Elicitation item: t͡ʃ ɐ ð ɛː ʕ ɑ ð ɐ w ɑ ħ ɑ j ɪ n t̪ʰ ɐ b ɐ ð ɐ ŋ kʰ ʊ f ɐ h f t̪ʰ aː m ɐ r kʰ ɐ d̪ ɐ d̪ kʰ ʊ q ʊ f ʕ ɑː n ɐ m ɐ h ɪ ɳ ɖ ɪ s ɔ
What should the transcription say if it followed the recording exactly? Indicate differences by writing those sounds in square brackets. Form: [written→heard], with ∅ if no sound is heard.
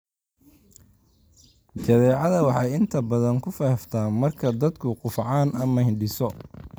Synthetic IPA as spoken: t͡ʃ ɐ ð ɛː ʕ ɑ ð ɐ w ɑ ħ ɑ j ɪ n t̪ʰ ɐ b ɐ ð ɐ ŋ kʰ ʊ f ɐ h f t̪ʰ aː m ɐ r kʰ ɐ d̪ ɐ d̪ kʰ ʊ q ʊ f ʕ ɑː n ɐ m ɐ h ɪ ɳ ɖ ɪ s ɔ